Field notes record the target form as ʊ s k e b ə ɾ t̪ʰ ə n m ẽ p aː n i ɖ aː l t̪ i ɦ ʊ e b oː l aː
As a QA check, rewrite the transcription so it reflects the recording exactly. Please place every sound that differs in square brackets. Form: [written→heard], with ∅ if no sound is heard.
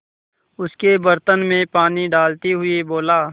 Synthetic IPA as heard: ʊ s k e b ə ɾ [t̪ʰ→t̪] ə n m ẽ p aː n i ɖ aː l t̪ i ɦ ʊ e b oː l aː